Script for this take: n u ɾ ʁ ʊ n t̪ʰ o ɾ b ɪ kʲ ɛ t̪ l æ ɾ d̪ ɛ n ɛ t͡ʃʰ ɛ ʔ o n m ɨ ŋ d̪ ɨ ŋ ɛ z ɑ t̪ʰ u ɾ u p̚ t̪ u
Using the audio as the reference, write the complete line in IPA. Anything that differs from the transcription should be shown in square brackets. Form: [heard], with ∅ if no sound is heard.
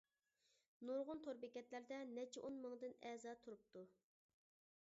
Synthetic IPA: n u ɾ ʁ ʊ n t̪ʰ o ɾ b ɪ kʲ ɛ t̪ l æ ɾ d̪ ɛ n ɛ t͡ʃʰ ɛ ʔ o n m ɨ ŋ d̪ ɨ [n] ɛ z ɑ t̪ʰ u ɾ u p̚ t̪ u